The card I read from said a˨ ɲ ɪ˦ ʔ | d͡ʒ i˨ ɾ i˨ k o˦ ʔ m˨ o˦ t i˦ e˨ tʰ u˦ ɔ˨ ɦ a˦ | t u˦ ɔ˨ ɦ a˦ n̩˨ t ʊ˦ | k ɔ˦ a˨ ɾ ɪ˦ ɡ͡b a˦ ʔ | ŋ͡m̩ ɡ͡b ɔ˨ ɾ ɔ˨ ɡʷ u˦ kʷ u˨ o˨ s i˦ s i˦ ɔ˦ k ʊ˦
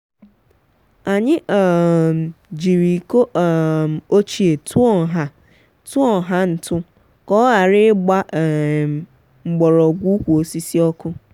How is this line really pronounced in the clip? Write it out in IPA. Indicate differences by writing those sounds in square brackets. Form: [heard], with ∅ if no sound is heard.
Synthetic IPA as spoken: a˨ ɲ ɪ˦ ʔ | d͡ʒ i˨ ɾ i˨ k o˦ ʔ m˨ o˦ [t͡ʃ] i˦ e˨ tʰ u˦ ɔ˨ ɦ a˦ | t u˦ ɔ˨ ɦ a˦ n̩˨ t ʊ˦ | k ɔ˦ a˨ ɾ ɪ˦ ɡ͡b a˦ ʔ | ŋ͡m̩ ɡ͡b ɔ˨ ɾ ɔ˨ ɡʷ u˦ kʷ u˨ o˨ s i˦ s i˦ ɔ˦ k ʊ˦